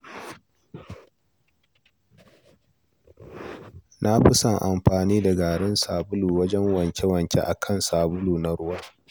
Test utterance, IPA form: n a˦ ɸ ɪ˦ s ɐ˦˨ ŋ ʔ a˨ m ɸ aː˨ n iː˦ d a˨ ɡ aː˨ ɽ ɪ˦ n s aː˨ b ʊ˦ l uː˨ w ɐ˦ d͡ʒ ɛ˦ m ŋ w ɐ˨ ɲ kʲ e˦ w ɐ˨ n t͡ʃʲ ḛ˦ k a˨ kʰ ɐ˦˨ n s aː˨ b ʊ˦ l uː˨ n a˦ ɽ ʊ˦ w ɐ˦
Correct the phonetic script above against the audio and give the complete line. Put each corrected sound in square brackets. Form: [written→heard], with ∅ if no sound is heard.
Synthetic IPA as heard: n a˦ ɸ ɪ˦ s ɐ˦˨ ŋ ʔ a˨ m ɸ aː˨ n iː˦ d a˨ ɡ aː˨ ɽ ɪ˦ n s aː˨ b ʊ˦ l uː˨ w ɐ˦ d͡ʒ ɛ˦ [m→∅] ŋ w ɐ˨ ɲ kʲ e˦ w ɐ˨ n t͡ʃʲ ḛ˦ [k→ʔ] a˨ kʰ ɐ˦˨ n s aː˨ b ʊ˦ l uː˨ n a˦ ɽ ʊ˦ w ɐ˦